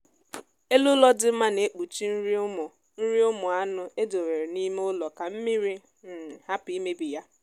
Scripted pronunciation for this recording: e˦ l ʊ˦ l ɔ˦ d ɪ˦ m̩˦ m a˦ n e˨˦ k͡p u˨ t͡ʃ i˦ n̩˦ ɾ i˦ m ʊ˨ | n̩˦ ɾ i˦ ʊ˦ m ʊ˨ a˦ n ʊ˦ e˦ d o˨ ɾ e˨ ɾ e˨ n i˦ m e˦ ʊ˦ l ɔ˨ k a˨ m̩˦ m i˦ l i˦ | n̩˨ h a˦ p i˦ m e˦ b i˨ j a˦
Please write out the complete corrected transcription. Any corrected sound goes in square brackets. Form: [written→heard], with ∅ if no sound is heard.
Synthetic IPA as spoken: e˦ l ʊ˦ l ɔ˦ d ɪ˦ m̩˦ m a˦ n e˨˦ k͡p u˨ t͡ʃ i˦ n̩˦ ɾ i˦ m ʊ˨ | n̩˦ ɾ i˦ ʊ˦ m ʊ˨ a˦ n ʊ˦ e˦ d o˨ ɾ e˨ ɾ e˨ n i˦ m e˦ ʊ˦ l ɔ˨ k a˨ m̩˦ m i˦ [l→ɾ] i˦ | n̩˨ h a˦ p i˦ m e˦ b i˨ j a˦